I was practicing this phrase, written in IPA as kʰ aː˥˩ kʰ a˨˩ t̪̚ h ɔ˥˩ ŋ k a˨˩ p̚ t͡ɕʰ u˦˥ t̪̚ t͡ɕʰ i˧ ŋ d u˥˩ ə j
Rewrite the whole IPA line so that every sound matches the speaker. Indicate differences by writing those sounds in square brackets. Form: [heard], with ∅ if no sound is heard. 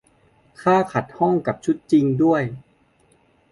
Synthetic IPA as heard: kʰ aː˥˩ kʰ a˨˩ t̪̚ h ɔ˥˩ ŋ k a˨˩ p̚ t͡ɕʰ u˦˥ t̪̚ [t͡ɕ] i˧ ŋ d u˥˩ ə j